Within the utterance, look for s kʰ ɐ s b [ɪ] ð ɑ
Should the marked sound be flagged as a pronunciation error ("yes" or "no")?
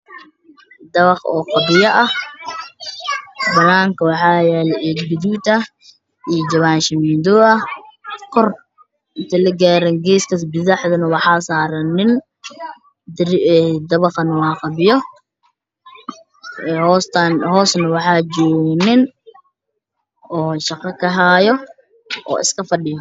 no